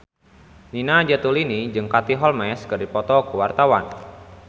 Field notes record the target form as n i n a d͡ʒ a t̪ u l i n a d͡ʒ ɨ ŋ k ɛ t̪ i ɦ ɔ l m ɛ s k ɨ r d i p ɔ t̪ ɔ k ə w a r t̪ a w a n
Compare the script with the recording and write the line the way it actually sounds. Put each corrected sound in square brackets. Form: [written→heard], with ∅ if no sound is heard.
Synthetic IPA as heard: n i n a d͡ʒ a t̪ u l i n [a→i] d͡ʒ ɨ ŋ k [ɛ→a] t̪ i ɦ ɔ l m ɛ s k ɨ r d i p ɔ t̪ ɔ k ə w a r t̪ a w a n